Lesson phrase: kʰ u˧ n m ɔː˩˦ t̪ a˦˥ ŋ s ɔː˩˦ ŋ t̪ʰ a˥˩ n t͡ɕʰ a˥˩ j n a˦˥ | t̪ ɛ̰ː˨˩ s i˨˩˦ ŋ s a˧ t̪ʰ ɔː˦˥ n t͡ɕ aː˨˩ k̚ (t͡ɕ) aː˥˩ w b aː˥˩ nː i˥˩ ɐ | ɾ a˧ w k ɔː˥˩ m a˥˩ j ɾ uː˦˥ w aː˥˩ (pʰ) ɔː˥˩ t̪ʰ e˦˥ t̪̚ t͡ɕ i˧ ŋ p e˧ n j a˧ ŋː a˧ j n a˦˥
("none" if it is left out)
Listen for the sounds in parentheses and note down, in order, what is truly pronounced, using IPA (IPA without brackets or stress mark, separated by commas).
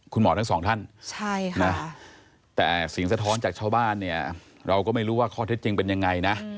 t͡ɕʰ, kʰ